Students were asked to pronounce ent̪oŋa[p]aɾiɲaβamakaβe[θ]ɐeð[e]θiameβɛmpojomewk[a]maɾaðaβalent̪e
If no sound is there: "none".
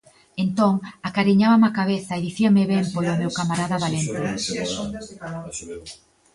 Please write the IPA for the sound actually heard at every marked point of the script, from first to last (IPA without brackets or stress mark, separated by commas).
k, θ, i, a